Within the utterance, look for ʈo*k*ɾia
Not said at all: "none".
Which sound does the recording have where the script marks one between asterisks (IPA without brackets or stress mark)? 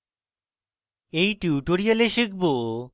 none